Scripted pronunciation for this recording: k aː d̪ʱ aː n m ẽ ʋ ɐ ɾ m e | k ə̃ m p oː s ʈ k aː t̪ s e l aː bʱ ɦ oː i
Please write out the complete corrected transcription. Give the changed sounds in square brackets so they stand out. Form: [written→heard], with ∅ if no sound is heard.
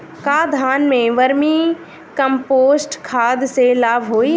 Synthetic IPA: k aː d̪ʱ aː n m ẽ ʋ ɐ ɾ m [e→i] | k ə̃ m p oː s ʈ [k→kʰ] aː [t̪→d̪] s e l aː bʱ ɦ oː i